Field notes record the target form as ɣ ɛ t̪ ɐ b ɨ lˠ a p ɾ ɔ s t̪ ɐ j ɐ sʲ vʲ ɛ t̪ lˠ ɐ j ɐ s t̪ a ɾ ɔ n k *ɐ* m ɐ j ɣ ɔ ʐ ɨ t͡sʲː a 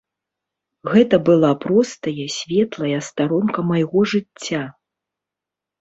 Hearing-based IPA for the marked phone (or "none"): ɐ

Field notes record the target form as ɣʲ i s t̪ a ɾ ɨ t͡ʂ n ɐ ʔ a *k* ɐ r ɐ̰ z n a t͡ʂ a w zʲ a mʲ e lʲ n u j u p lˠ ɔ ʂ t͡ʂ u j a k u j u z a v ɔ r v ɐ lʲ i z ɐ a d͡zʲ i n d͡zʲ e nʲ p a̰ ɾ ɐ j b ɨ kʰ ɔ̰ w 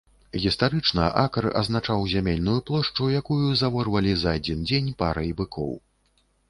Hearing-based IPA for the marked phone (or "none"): k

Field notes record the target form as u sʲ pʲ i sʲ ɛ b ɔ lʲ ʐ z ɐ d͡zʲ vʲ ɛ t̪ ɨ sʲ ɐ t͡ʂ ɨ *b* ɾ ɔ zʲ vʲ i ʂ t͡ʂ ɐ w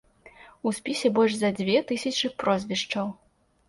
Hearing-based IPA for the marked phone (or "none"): p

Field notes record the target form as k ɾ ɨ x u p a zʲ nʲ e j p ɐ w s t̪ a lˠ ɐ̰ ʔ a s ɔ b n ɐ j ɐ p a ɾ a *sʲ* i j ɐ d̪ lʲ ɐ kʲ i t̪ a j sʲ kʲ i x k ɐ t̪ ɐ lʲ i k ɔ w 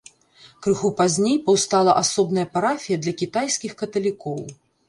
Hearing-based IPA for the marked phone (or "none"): fʲ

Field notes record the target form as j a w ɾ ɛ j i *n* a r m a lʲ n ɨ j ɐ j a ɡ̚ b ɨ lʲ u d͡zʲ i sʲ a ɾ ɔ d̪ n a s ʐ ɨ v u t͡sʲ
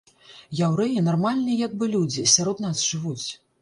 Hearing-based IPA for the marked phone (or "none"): n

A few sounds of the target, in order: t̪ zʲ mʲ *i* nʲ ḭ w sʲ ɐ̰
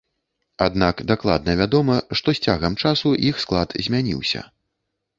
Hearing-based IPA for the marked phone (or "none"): a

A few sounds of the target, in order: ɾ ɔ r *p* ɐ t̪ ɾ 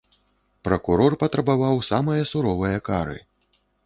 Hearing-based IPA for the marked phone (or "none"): p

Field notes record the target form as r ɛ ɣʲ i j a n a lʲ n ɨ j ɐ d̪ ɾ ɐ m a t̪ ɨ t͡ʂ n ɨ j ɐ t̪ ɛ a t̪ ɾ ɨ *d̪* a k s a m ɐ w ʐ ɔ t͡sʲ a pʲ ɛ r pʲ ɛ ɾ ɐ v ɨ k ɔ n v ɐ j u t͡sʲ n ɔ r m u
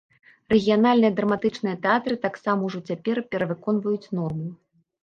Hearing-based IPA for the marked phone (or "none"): t̪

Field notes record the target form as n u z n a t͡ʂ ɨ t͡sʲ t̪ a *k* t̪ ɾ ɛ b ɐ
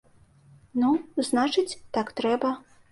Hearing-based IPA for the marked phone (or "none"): k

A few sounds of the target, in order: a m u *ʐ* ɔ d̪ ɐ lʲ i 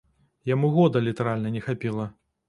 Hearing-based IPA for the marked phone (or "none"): ɣ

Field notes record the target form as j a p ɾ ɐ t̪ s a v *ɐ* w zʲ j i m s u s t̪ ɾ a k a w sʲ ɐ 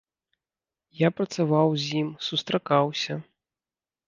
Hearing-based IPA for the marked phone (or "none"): a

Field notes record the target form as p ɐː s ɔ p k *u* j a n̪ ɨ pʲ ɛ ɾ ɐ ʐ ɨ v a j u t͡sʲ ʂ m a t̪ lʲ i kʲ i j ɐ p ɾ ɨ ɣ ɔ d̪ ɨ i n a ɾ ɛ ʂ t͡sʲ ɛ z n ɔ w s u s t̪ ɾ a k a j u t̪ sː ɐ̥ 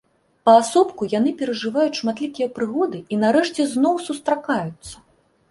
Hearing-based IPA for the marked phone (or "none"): u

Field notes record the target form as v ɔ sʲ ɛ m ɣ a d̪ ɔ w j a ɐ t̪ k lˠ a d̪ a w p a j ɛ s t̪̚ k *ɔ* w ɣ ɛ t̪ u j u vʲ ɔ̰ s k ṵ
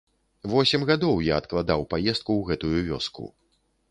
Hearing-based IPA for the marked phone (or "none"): u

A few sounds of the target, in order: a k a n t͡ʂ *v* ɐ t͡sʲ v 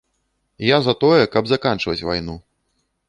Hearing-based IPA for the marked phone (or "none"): v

